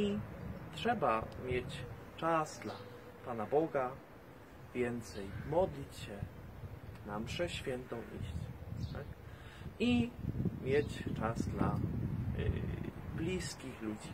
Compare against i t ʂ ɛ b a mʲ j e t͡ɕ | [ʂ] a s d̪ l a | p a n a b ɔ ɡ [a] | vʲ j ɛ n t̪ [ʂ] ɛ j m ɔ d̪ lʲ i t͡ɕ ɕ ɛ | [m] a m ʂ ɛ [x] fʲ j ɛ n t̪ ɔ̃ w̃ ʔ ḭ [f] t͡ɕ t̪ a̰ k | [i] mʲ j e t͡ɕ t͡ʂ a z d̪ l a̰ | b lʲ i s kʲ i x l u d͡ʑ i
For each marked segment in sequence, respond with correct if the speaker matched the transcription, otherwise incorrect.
incorrect: t͡ʂ, correct, incorrect: s, incorrect: n, incorrect: ɕ, incorrect: ɕ, correct

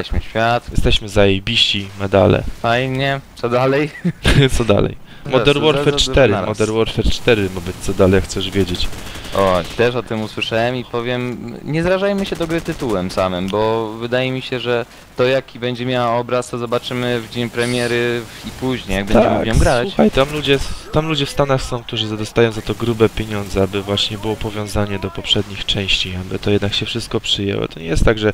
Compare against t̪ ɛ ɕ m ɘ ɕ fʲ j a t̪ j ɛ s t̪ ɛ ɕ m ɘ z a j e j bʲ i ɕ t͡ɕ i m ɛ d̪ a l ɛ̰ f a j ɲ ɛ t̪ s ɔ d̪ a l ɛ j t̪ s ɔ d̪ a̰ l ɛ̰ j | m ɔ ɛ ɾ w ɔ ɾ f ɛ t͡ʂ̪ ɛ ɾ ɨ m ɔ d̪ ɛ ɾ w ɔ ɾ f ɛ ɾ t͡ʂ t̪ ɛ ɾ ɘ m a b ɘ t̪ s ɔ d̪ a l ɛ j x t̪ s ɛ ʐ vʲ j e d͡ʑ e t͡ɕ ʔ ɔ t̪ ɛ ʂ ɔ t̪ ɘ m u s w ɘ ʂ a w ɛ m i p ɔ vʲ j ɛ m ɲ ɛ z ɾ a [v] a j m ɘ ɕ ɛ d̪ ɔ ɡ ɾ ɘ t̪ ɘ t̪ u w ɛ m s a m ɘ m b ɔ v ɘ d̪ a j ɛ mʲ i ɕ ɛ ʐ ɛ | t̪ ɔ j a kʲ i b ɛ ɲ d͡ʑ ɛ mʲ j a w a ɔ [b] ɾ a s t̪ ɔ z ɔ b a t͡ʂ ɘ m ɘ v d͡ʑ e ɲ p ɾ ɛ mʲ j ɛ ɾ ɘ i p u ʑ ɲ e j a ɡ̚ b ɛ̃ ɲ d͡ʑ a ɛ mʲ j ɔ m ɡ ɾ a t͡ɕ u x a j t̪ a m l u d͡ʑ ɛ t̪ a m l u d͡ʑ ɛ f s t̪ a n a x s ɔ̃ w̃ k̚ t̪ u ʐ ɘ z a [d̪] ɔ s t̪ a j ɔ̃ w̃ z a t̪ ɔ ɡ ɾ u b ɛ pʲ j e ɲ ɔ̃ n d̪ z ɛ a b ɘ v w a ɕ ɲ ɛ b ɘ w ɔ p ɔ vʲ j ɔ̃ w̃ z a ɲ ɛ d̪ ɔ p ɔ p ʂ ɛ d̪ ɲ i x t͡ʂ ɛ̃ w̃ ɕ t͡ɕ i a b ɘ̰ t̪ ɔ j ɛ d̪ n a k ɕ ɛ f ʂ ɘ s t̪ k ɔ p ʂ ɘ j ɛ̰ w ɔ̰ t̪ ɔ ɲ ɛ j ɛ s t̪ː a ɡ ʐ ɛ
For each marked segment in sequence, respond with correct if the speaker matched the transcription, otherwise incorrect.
incorrect: ʐ, correct, correct

